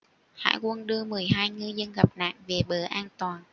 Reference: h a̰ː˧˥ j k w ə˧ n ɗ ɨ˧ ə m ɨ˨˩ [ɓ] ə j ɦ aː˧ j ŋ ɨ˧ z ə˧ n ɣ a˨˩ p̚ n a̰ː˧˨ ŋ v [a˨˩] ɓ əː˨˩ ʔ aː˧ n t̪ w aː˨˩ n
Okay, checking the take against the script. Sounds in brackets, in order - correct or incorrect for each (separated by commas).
incorrect, incorrect